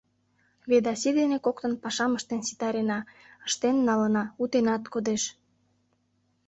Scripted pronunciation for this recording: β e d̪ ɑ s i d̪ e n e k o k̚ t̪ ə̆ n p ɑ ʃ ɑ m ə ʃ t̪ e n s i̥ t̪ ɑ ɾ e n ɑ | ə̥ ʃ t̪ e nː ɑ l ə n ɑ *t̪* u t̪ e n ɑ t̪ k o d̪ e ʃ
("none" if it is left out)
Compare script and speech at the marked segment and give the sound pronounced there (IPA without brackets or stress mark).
none